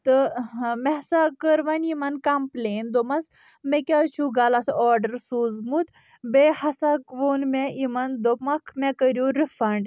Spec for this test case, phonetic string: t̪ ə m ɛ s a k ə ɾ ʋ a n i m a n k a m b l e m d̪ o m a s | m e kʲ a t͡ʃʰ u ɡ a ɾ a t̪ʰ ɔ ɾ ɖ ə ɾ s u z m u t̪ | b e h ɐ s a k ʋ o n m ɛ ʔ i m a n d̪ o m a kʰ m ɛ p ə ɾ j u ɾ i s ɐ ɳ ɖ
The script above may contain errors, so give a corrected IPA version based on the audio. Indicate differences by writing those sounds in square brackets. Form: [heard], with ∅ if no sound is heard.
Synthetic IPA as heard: t̪ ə m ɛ s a k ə ɾ ʋ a n i m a n k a m [p] l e [n] d̪ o m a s | m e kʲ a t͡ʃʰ u ɡ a [l] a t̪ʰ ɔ ɾ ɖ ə ɾ s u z m u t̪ | b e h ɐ s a k ʋ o n m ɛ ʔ i m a n d̪ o m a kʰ m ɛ [k] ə ɾ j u ɾ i [f] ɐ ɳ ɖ

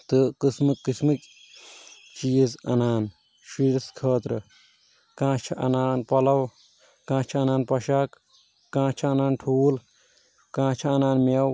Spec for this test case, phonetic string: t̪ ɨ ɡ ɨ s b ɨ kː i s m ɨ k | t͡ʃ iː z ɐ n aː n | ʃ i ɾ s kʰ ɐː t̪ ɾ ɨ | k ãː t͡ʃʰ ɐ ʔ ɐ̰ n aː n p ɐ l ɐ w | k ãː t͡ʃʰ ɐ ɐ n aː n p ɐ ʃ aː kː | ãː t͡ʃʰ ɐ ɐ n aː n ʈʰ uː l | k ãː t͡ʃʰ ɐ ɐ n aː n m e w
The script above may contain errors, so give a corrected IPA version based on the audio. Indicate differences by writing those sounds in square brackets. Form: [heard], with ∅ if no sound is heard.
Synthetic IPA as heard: t̪ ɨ [k] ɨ s [m] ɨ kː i s m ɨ k | t͡ʃ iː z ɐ n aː n | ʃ i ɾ s kʰ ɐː t̪ ɾ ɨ | k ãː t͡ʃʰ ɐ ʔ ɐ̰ n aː n p ɐ l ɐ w | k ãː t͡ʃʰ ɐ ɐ n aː n p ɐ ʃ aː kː | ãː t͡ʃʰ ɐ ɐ n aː n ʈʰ uː l | k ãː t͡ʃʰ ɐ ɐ n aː n m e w

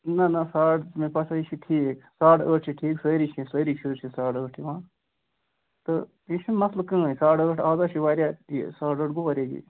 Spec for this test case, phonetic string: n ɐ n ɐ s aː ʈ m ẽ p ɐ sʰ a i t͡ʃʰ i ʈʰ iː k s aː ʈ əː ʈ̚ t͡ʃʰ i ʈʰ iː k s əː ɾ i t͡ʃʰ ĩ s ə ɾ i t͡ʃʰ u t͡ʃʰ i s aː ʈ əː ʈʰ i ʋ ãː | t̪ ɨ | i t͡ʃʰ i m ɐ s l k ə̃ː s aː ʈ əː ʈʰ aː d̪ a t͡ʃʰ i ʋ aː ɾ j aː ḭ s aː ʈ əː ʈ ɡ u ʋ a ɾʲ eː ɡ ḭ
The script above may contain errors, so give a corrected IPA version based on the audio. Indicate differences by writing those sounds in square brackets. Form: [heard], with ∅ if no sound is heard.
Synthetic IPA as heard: n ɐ n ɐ s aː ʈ m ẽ p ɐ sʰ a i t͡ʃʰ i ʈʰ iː k s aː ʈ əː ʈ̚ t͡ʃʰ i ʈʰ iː k s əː ɾ i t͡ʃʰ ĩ s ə ɾ i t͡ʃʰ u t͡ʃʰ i s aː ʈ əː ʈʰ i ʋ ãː | t̪ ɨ | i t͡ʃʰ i m ɐ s l k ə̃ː s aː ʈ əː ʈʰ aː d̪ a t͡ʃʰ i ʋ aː ɾ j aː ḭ s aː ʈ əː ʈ ɡ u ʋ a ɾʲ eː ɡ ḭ

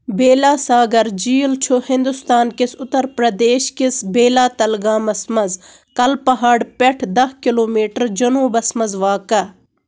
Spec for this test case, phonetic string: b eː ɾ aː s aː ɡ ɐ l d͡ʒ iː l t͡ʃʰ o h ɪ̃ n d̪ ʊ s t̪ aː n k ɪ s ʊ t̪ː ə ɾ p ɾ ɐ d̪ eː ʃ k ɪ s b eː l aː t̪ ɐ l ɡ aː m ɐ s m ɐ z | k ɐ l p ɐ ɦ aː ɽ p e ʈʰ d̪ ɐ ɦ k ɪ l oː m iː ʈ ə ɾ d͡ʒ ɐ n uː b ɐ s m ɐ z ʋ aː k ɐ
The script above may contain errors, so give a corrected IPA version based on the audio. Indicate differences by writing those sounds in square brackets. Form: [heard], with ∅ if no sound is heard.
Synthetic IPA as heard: b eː [l] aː s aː ɡ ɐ [ɾ] d͡ʒ iː l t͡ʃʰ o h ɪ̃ n d̪ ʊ s t̪ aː n k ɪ s ʊ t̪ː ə ɾ p ɾ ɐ d̪ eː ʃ k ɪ s b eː l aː t̪ ɐ l ɡ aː m ɐ s m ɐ z | k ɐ l p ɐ ɦ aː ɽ p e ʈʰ d̪ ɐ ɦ k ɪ l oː m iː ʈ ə ɾ d͡ʒ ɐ n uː b ɐ s m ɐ z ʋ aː k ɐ

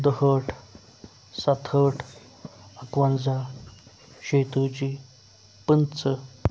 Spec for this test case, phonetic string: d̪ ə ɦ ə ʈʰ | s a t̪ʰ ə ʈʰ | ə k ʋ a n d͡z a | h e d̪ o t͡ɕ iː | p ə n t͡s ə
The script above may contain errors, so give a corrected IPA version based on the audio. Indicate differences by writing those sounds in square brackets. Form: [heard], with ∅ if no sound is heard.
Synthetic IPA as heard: d̪ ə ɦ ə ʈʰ | s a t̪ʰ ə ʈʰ | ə k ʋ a n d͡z a | [ɕ] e [t̪] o t͡ɕ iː | p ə n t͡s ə

